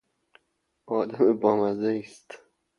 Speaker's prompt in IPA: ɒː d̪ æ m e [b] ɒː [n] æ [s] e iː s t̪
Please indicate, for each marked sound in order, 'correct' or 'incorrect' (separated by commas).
correct, incorrect, incorrect